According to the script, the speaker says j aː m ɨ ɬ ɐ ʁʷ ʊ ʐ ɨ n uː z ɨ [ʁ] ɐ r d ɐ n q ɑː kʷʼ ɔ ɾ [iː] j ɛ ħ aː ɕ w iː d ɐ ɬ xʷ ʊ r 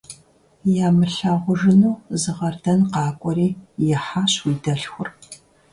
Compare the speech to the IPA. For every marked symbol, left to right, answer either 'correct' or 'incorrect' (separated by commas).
correct, correct